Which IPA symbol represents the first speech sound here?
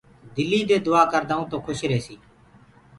d̪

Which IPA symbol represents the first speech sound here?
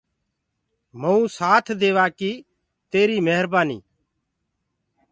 m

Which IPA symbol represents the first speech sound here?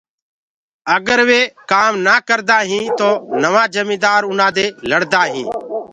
ə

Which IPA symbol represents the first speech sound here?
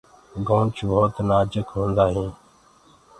ɡ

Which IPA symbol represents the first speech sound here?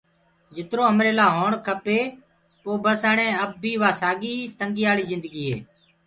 d͡ʒ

